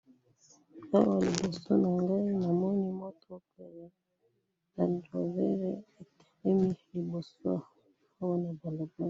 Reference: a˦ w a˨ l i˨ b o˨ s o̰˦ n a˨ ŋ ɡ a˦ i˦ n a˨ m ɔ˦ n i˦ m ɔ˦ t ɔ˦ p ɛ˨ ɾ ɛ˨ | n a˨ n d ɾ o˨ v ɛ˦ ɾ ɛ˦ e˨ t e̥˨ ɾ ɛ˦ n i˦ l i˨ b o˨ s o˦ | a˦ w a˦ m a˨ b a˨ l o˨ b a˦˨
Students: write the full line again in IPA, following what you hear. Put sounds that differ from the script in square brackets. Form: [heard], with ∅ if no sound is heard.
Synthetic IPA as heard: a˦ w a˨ l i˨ b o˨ s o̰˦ n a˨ ŋ ɡ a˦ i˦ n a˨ m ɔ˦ n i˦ m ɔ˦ t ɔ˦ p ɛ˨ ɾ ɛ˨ | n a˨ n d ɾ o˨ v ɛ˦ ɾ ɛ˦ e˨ t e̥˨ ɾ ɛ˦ [m] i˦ l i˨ b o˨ s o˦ | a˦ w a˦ [n] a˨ b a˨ l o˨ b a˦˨